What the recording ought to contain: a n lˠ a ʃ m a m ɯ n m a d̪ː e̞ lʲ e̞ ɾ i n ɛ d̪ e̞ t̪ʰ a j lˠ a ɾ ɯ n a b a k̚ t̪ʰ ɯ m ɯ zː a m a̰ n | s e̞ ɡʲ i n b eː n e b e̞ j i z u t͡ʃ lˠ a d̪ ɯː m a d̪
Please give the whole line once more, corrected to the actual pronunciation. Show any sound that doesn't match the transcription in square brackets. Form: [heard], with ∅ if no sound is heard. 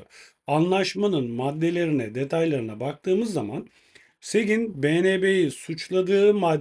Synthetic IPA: a n lˠ a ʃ m a [n] ɯ n m a d̪ː e̞ lʲ e̞ ɾ i n ɛ d̪ e̞ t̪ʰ a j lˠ a ɾ ɯ n a b a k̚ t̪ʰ [ɯː] m ɯ zː a m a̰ n | s e̞ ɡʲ i n b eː n e b e̞ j i [s] u t͡ʃ lˠ a d̪ ɯː m a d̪